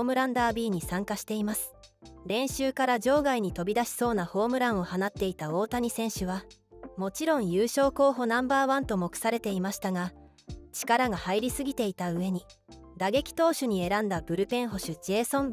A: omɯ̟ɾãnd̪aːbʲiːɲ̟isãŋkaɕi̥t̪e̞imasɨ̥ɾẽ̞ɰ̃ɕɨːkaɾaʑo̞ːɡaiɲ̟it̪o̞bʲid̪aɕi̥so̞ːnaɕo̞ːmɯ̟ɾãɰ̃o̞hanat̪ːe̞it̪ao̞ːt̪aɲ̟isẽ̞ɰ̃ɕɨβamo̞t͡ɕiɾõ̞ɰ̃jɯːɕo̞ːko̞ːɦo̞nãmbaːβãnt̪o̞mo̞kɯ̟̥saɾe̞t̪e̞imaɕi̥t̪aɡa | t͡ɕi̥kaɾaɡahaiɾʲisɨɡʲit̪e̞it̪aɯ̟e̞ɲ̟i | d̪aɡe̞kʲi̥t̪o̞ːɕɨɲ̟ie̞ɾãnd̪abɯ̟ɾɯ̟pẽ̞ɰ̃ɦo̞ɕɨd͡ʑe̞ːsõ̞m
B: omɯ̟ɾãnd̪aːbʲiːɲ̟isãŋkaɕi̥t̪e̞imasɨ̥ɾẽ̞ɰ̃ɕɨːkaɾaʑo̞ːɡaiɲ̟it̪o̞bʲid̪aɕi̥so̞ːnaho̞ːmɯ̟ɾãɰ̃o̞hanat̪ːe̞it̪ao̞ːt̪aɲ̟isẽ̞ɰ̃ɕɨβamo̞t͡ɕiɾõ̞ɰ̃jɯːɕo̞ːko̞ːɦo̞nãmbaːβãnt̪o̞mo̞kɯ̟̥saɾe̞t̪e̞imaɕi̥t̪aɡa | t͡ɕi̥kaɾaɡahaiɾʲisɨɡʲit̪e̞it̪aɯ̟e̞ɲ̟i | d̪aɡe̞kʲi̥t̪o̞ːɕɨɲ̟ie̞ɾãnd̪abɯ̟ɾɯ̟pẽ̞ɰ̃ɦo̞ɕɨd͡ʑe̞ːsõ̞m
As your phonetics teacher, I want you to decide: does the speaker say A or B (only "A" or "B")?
B